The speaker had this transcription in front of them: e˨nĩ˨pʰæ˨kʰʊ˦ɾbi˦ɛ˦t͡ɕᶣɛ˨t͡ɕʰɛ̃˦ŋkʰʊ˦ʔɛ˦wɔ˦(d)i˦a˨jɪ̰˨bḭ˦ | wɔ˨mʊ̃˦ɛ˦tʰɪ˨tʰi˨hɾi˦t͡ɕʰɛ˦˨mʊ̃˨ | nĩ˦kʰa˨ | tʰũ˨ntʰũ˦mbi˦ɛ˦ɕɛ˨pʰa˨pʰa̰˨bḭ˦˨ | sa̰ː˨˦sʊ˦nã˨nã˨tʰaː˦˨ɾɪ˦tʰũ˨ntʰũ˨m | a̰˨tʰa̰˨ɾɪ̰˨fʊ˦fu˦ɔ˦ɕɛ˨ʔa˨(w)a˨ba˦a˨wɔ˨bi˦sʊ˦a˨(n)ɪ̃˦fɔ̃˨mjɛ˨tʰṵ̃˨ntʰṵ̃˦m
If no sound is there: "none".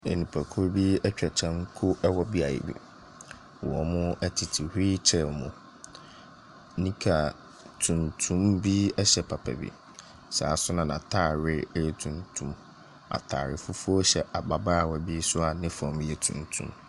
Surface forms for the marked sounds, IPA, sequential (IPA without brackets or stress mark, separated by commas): b, b, n